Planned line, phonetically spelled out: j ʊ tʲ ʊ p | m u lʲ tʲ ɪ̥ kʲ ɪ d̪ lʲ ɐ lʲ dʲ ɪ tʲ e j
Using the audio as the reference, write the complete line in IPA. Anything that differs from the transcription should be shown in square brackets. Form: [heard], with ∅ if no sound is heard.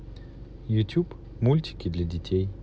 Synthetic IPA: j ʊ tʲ [u] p | m u lʲ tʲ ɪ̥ kʲ ɪ d̪ lʲ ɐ [∅] dʲ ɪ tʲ e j